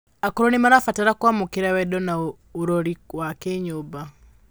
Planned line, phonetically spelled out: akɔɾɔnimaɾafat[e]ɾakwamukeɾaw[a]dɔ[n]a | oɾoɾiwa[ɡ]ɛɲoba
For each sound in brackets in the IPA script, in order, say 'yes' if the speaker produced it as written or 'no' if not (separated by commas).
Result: no, no, yes, no